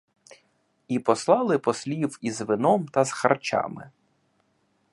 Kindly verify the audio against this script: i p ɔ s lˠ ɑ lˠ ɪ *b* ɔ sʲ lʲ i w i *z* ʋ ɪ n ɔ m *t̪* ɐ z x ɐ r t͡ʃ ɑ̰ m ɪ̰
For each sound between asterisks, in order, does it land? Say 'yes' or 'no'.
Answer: no, yes, yes

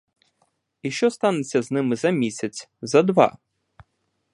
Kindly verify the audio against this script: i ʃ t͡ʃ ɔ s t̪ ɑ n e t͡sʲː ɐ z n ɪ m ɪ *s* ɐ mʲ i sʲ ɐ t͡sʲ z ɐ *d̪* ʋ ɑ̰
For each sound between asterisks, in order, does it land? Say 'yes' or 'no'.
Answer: no, yes

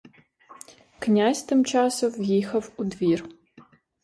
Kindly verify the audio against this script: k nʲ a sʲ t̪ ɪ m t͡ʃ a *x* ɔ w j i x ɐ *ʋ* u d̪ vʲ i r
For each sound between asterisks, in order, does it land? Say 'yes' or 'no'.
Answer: no, no

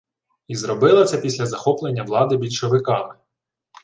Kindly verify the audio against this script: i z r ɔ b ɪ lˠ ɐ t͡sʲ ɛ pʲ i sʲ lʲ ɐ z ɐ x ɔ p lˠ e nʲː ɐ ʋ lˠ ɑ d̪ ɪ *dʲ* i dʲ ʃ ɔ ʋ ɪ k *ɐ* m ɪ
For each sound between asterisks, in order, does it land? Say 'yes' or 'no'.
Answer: no, no

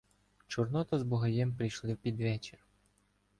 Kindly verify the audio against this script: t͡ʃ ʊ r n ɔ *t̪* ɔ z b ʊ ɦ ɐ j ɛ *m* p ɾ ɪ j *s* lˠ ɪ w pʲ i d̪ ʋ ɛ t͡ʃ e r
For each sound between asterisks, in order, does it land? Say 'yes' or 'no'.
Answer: yes, yes, no

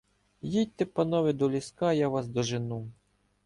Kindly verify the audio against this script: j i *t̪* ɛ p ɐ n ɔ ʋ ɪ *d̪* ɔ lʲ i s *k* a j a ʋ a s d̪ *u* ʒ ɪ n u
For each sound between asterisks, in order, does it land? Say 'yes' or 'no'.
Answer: yes, yes, yes, no

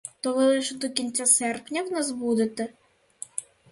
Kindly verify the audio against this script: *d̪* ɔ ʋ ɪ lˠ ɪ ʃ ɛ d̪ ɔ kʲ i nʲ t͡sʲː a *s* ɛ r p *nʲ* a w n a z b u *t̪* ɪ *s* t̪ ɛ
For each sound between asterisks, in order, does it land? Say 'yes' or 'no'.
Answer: no, yes, yes, no, no

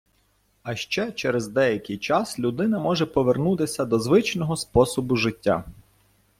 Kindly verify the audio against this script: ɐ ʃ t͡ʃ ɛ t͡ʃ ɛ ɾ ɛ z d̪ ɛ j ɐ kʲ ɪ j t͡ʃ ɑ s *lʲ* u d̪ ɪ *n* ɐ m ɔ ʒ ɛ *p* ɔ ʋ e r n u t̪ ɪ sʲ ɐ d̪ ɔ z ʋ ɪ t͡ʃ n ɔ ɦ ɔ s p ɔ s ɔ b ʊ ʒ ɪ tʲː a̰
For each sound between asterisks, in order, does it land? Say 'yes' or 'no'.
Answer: yes, yes, yes

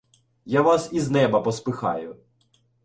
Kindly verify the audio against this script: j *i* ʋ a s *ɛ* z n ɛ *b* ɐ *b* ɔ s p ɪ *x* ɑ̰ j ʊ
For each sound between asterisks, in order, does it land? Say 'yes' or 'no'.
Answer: no, no, yes, no, yes

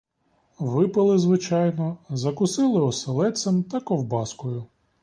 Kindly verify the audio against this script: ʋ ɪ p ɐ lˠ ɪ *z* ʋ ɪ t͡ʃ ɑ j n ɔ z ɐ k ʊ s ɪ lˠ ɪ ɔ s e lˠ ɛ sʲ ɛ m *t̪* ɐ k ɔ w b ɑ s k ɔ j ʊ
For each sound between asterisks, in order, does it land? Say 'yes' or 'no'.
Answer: yes, yes

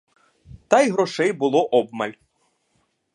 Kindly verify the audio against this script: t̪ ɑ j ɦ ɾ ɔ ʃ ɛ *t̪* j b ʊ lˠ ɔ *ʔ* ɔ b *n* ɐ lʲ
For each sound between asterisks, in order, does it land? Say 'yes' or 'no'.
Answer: no, yes, no

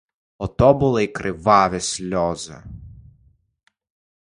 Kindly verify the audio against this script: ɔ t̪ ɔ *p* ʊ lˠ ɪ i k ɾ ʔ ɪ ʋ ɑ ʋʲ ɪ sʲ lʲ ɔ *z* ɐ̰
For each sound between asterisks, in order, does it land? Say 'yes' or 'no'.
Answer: no, yes

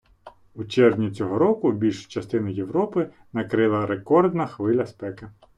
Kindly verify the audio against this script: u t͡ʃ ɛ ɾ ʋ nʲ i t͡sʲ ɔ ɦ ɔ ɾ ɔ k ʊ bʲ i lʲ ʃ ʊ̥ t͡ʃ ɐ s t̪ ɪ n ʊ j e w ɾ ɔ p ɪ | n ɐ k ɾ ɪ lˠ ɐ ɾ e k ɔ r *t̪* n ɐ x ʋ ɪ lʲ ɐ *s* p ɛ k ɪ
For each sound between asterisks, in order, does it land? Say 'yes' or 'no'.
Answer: no, yes

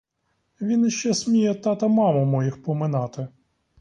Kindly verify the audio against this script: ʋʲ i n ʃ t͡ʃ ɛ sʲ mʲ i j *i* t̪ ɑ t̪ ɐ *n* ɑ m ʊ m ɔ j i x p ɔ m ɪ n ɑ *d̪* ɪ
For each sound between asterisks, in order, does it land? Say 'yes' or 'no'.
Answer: no, no, no

